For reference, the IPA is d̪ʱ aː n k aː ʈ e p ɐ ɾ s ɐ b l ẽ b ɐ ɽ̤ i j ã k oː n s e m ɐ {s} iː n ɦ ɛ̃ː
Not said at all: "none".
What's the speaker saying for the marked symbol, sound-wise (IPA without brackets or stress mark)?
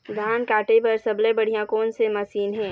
s